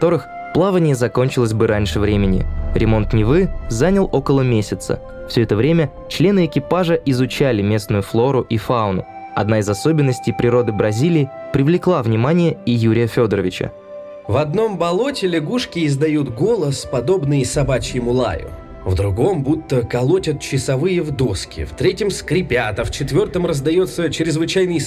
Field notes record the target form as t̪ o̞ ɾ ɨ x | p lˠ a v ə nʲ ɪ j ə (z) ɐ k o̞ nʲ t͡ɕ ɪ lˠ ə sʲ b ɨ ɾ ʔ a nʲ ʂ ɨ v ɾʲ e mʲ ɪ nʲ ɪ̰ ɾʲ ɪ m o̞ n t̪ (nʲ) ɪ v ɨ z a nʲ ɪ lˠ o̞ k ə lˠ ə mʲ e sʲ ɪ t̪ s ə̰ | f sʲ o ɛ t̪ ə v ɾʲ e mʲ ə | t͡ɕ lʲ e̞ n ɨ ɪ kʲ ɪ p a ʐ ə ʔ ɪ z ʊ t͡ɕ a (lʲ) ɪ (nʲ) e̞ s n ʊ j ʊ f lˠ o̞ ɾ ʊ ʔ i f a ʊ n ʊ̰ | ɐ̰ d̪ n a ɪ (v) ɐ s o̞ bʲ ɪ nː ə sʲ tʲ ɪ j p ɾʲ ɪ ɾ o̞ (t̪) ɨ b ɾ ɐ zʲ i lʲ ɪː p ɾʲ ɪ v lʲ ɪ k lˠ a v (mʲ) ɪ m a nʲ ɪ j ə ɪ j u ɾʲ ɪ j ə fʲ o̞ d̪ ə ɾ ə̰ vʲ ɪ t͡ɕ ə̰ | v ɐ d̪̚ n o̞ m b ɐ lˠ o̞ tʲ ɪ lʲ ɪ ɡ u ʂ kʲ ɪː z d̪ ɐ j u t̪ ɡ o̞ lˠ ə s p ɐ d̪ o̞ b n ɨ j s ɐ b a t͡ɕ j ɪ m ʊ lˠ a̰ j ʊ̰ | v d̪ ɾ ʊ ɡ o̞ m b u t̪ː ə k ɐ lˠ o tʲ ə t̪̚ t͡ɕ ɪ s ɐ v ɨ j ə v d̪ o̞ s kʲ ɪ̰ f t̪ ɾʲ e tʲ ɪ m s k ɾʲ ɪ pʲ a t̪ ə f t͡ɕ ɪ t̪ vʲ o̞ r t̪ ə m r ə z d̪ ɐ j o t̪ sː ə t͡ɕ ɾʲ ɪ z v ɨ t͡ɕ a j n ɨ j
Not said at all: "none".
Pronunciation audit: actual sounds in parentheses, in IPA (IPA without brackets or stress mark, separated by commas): z, nʲ, lʲ, mʲ, z, d̪, nʲ